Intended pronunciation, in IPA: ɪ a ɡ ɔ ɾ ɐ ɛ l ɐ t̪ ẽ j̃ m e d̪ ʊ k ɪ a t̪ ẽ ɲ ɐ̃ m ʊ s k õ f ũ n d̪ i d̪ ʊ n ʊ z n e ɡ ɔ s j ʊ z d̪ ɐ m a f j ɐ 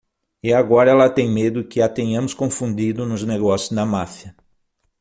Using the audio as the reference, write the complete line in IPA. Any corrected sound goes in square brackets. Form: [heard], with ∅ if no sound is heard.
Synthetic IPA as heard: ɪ a ɡ ɔ ɾ ɐ ɛ l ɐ t̪ ẽ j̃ m e d̪ ʊ k ɪ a t̪ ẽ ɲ ɐ̃ m ʊ s k õ f ũ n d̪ i d̪ ʊ n ʊ z n e ɡ ɔ s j ʊ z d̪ ɐ m a f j ɐ